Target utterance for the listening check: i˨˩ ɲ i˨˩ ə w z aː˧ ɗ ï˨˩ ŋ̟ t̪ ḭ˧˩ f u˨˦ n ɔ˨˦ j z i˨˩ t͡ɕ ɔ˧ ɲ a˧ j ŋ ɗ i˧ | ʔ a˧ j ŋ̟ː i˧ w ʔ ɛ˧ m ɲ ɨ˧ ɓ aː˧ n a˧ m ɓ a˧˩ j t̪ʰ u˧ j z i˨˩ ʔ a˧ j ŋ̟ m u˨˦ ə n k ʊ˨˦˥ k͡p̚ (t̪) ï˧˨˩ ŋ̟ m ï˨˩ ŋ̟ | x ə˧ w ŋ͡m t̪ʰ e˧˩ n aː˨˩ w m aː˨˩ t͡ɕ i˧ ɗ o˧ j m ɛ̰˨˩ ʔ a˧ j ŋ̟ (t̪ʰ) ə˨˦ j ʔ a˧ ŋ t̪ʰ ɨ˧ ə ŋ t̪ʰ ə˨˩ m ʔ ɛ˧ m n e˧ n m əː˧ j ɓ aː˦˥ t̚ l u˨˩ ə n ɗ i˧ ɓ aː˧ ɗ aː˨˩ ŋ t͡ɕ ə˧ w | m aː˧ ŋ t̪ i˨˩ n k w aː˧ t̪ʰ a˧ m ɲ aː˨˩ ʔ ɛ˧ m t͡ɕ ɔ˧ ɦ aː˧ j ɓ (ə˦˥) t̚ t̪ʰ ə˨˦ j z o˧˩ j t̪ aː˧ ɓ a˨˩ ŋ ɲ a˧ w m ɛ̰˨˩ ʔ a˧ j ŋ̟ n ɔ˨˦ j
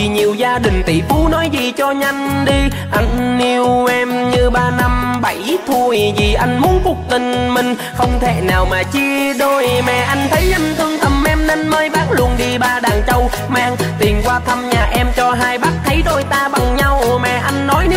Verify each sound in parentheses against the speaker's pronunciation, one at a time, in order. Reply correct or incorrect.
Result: correct, correct, incorrect: a˦˥

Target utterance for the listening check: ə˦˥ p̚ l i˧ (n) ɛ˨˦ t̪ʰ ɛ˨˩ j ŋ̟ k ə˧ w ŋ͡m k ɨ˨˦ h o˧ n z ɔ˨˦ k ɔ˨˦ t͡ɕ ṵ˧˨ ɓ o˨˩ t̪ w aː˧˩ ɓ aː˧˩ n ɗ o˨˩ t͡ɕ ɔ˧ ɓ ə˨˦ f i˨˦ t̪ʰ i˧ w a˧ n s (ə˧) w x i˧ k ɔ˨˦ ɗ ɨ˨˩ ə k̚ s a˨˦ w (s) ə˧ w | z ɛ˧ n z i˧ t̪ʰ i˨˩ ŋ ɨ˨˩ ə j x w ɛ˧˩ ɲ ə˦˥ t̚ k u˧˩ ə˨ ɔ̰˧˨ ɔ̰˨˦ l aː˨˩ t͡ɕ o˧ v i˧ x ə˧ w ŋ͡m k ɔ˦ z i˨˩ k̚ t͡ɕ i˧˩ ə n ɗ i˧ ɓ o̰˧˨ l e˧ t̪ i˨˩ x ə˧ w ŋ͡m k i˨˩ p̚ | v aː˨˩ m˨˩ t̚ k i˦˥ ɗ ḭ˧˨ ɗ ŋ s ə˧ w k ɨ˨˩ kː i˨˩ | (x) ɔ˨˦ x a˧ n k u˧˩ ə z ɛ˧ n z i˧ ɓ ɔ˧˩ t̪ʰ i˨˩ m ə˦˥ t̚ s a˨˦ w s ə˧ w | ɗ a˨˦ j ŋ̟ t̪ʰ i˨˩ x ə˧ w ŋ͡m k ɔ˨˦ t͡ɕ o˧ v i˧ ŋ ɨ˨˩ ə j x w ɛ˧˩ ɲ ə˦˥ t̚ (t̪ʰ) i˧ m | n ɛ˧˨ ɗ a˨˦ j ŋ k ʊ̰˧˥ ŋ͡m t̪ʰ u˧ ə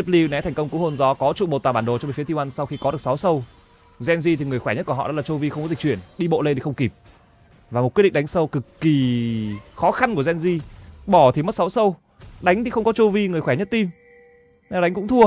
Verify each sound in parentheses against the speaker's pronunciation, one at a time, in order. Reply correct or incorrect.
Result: correct, incorrect: a˧, correct, correct, incorrect: t̪

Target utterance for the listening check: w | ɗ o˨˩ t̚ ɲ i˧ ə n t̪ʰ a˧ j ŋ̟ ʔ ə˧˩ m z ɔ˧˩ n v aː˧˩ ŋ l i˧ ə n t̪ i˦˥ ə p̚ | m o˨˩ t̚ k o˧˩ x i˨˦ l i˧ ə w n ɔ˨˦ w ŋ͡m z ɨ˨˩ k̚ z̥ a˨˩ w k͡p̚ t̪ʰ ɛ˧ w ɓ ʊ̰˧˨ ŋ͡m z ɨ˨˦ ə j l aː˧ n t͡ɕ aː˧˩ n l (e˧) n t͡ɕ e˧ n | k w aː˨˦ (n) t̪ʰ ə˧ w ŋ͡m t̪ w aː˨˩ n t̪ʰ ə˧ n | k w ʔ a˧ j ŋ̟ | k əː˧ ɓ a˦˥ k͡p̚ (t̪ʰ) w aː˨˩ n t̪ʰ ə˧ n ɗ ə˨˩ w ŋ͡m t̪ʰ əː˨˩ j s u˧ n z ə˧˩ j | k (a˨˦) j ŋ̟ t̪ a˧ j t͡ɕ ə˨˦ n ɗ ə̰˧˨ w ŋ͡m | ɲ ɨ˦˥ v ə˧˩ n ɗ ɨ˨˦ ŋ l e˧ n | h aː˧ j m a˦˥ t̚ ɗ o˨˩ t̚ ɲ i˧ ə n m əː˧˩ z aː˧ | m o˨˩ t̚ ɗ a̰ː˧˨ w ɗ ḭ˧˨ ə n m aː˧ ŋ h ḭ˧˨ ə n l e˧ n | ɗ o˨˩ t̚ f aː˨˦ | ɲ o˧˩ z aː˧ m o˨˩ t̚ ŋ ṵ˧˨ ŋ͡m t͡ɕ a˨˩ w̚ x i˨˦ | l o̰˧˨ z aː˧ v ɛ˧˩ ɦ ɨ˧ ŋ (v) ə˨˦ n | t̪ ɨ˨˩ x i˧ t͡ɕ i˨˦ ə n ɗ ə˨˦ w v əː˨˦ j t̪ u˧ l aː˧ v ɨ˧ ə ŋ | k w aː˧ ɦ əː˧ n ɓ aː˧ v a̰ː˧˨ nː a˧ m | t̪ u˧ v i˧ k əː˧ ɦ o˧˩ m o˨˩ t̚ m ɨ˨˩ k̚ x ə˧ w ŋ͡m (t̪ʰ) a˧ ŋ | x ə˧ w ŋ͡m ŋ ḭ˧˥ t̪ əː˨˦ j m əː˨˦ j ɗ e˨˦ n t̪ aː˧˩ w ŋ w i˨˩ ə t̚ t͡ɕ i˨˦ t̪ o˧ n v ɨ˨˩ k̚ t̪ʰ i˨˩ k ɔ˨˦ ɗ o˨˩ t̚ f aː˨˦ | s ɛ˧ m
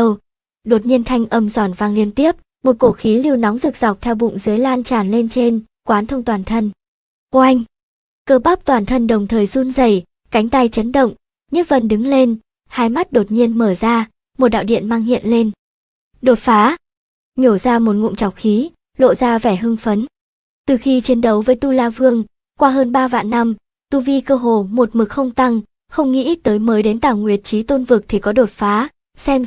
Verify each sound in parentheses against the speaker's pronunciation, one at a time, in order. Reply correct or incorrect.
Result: correct, correct, incorrect: t̪, correct, incorrect: f, incorrect: t̪

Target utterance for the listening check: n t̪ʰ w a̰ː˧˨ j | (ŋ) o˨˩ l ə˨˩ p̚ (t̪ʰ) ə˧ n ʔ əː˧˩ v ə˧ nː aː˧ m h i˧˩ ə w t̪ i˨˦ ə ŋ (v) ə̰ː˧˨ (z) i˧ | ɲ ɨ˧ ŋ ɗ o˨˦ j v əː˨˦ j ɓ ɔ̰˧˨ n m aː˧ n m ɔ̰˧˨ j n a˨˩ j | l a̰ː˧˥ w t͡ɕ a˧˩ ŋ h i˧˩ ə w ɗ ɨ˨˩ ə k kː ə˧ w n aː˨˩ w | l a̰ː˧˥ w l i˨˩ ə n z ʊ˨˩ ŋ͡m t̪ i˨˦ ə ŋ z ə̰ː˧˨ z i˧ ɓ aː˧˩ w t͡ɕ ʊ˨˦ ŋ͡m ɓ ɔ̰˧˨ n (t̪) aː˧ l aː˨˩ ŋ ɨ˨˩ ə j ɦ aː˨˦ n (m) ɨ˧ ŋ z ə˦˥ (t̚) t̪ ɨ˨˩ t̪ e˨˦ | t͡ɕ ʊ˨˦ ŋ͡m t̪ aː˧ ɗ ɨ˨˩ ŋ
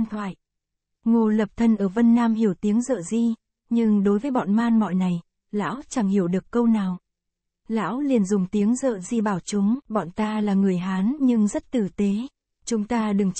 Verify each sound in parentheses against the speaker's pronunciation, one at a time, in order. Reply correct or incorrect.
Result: correct, correct, incorrect: z, correct, correct, incorrect: ɲ, correct

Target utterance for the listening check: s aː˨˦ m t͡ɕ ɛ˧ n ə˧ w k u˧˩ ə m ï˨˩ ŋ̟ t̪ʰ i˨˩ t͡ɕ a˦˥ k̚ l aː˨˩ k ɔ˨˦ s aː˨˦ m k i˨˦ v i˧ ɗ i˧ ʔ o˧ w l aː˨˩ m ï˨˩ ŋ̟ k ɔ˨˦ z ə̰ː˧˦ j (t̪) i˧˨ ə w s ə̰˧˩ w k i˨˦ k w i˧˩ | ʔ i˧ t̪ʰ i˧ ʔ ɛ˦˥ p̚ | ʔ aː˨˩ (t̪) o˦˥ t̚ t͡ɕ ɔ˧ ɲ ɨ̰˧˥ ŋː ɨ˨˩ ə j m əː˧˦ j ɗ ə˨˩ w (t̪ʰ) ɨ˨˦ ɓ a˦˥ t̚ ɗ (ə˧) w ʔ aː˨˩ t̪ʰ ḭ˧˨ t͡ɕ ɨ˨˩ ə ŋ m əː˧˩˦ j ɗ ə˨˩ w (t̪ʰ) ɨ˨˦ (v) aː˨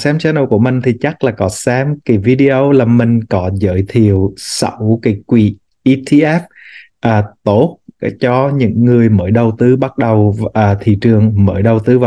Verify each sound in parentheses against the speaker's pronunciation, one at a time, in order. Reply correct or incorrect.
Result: incorrect: t̪ʰ, correct, incorrect: t̪, incorrect: ə˨˩, incorrect: t̪, correct

